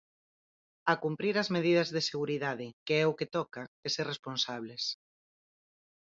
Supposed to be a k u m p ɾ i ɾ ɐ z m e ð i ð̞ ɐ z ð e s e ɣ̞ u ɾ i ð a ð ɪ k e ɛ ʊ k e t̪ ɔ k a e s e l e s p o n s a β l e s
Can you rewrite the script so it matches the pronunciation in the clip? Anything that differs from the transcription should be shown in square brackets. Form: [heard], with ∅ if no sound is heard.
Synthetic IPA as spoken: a k u m p ɾ i ɾ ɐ z m e ð i ð̞ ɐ z ð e s e ɣ̞ u ɾ i ð a ð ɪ k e ɛ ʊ k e t̪ ɔ k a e s e [r] e s p o n s a β l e s